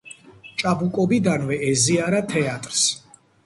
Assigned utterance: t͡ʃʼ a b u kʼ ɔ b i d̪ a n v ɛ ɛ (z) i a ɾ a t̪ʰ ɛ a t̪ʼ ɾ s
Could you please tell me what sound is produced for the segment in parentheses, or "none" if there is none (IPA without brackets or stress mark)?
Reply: z